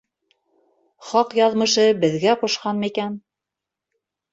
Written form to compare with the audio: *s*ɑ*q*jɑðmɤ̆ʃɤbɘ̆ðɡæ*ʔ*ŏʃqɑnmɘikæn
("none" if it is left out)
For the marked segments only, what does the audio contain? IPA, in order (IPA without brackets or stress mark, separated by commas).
χ, q, q